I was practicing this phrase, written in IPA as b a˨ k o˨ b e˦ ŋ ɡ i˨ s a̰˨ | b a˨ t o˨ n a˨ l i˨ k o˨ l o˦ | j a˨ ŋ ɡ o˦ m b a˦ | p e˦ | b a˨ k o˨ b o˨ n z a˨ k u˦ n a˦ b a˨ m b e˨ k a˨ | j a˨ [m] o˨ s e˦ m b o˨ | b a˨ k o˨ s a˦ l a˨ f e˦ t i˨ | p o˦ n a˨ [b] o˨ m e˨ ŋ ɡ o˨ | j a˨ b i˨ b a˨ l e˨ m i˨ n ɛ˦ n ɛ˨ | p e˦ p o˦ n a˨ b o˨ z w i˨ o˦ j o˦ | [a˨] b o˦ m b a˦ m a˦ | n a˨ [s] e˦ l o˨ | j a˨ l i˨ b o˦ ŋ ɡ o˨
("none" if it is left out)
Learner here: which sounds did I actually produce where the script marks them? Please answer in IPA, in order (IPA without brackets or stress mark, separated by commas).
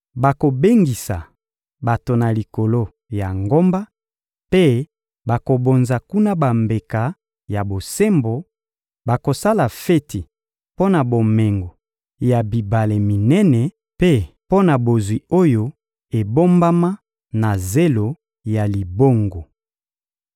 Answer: b, b, e˨, z